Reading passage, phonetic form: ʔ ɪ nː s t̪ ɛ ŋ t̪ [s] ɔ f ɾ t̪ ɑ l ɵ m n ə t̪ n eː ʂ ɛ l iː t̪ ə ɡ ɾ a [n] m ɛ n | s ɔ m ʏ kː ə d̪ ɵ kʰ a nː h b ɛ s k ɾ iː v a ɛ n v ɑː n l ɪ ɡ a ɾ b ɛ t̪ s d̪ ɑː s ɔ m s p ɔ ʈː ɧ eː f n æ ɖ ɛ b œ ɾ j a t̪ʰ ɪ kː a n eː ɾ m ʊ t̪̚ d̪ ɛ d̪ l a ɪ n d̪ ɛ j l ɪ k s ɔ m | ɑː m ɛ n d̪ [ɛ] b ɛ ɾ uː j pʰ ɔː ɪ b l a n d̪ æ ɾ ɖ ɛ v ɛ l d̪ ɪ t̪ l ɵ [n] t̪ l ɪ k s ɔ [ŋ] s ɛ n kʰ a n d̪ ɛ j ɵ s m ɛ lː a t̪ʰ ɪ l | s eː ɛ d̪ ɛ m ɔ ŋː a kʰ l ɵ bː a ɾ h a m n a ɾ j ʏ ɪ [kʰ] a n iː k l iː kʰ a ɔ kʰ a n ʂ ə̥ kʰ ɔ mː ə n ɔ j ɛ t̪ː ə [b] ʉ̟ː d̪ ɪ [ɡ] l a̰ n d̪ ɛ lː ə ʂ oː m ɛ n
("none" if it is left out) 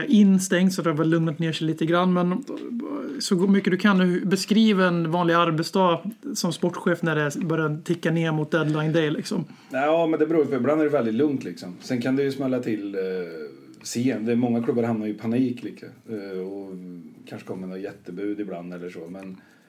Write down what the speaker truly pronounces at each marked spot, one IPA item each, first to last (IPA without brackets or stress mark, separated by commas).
s, nː, ɛ, ŋ, m, pʰ, b, b